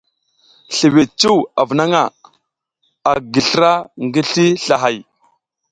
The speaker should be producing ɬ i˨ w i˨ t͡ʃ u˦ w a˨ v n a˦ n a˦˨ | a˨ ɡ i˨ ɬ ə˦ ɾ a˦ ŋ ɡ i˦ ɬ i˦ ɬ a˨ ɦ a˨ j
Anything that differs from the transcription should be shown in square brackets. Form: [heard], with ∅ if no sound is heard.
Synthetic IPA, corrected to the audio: ɬ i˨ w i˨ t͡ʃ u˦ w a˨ v n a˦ [ŋ] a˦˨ | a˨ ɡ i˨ ɬ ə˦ ɾ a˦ ŋ ɡ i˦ ɬ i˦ ɬ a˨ ɦ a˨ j